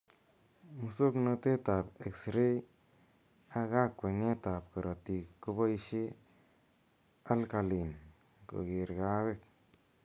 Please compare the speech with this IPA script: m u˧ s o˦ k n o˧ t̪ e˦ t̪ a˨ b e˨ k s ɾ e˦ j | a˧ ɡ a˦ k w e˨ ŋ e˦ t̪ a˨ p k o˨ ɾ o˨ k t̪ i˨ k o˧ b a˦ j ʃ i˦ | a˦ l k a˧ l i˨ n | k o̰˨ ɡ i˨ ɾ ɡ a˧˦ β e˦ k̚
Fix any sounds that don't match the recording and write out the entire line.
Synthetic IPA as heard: m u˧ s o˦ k n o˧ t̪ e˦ t̪ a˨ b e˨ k s ɾ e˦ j | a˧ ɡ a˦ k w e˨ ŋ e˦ t̪ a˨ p k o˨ ɾ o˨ t̪ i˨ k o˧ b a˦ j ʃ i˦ | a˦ l k a˧ l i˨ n | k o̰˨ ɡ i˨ ɾ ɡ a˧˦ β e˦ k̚